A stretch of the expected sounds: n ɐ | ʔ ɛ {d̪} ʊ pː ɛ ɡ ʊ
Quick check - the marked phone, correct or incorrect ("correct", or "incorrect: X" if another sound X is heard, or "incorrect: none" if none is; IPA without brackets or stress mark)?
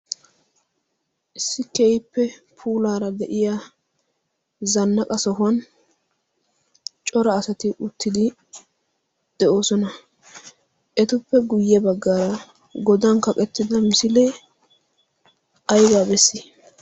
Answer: incorrect: t̪